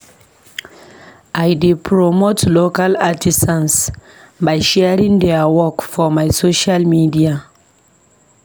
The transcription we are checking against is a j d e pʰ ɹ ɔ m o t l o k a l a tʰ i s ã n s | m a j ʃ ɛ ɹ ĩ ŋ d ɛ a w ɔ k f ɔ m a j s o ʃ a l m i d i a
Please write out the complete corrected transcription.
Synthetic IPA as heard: a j d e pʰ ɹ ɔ m o t l o k a l a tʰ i s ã n s | b a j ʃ ɛ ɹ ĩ ŋ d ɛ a w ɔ k f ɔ m a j s o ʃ a l m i d i a